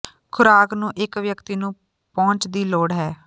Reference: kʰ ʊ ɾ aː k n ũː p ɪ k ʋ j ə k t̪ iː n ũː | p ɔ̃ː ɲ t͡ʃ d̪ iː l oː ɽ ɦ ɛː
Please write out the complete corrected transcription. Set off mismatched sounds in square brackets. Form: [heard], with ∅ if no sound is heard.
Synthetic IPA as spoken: kʰ ʊ ɾ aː k n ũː [ʔ] ɪ k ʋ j ə k t̪ iː n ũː | p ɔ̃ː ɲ t͡ʃ d̪ iː l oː ɽ ɦ ɛː